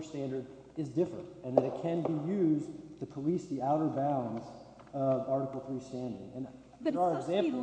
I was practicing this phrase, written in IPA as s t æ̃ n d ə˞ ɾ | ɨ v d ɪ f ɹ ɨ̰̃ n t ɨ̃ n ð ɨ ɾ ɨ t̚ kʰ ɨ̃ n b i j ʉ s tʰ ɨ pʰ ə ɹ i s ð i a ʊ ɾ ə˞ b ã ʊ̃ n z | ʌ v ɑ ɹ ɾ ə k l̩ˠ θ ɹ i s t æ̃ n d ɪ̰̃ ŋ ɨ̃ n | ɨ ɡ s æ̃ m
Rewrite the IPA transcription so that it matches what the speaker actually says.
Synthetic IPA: s t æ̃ n d ə˞ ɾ | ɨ z d ɪ f ɹ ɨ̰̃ n t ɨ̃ n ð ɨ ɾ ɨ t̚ kʰ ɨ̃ n b i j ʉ z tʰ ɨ pʰ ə l i s ð i a ʊ ɾ ə˞ b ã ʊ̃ n z | ʌ v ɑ ɹ ɾ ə k l̩ˠ θ ɹ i s t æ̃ n d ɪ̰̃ ŋ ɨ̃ n | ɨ ɡ z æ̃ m